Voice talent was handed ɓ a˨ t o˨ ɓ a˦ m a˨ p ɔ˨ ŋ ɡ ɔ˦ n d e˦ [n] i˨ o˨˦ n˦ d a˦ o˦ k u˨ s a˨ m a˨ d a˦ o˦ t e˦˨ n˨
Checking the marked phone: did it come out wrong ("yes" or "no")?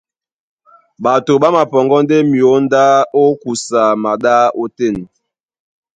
yes